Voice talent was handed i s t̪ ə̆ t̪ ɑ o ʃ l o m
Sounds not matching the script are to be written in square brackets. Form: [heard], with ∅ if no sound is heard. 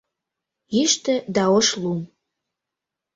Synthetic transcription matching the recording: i [ʃ] t̪ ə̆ [d̪] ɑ o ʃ l [u] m